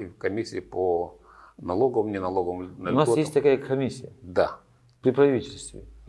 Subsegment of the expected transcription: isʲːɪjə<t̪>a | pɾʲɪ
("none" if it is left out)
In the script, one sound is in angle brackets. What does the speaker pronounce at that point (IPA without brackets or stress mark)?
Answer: d̪